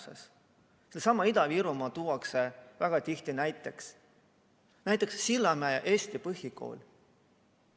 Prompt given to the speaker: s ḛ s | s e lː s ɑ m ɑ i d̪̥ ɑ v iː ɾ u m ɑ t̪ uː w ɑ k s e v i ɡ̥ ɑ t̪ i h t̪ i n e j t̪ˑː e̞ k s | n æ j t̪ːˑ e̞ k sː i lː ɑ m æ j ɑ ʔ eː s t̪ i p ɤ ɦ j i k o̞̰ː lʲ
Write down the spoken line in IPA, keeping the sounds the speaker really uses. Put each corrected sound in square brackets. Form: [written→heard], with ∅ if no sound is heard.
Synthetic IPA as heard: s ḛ s | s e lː s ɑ m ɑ i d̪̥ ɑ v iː ɾ u m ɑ t̪ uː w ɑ k s e v [i→æ] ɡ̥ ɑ t̪ i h t̪ i n [e→æ] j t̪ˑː e̞ k s | n æ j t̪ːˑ e̞ k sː i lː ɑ m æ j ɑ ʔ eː s t̪ i p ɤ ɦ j i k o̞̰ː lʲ